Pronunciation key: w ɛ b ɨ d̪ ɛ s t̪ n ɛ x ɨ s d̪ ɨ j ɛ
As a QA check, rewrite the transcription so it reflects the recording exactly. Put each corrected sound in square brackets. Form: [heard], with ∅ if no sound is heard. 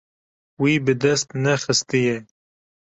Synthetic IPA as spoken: w [i] b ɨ d̪ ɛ s t̪ n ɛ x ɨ s [t̪] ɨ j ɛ